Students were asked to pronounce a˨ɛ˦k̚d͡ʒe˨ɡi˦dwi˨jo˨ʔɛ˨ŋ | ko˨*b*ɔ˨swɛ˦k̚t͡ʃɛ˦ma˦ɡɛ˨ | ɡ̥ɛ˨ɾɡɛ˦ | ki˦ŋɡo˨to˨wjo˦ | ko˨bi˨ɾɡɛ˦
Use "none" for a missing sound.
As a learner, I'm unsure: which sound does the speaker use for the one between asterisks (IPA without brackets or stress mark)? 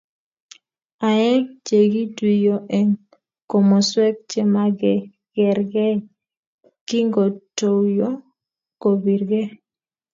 m